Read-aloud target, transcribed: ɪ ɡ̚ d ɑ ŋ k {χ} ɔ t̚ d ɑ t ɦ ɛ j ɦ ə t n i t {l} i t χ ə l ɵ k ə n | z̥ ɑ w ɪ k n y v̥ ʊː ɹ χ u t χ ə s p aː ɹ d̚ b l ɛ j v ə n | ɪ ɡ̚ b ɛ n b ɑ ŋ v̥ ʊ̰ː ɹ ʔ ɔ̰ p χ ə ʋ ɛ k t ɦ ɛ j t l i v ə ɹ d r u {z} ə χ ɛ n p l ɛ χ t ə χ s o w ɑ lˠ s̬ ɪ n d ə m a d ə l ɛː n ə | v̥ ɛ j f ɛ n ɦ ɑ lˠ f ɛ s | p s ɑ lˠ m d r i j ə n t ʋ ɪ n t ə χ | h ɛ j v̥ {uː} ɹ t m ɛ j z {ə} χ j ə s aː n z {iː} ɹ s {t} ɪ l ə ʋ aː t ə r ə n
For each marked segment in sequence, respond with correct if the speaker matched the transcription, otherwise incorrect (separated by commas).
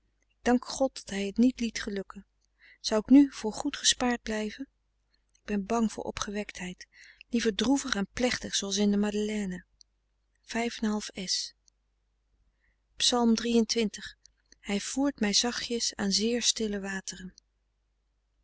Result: correct, correct, incorrect, correct, incorrect, incorrect, correct